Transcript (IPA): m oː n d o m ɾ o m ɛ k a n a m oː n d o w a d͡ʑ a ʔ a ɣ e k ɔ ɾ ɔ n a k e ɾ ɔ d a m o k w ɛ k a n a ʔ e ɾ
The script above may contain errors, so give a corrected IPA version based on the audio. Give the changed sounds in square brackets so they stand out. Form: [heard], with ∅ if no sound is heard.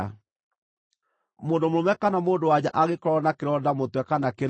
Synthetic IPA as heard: m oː n d o m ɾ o m ɛ k a n a m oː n d o w a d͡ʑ a ʔ a ɣ e k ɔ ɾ ɔ n a k e ɾ ɔ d a m o [t] w ɛ k a n a [k] e ɾ